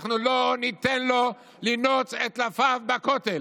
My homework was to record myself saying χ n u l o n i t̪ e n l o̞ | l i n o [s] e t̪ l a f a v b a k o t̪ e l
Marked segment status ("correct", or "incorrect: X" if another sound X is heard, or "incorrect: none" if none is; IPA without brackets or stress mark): incorrect: t͡s